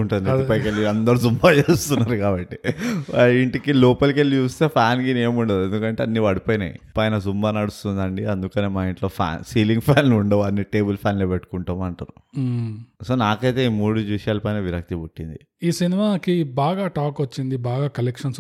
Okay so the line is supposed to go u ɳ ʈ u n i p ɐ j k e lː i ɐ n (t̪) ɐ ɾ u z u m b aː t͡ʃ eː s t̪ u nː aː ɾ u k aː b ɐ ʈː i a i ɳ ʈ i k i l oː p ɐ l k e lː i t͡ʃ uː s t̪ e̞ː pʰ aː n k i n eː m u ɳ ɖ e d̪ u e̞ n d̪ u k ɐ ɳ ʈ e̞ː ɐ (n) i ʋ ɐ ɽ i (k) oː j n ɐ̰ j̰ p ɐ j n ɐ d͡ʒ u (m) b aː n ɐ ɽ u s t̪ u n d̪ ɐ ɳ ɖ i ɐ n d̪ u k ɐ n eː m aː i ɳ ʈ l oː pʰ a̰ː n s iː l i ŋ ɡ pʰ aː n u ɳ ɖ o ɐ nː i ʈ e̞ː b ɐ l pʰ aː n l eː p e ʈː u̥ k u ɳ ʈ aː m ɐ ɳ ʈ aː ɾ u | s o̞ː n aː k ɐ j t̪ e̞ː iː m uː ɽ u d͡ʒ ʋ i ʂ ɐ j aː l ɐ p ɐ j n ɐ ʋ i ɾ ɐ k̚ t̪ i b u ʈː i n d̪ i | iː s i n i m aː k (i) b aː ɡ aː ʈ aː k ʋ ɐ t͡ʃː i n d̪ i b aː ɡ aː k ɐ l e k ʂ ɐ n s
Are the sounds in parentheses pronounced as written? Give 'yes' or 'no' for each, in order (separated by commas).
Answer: no, no, no, yes, yes